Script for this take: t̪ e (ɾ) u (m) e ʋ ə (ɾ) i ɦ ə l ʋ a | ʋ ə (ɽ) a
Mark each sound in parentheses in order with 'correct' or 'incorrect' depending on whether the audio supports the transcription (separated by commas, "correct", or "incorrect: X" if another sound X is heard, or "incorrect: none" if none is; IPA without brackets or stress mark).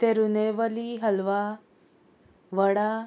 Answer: correct, incorrect: n, incorrect: l, correct